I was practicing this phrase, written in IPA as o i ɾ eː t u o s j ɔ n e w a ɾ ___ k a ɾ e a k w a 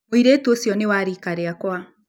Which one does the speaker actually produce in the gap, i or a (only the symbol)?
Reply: i